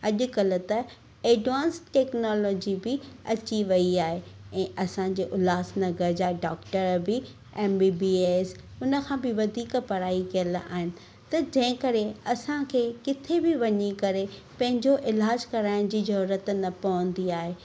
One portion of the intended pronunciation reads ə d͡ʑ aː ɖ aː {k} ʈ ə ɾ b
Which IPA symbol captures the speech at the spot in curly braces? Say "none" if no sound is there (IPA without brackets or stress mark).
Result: k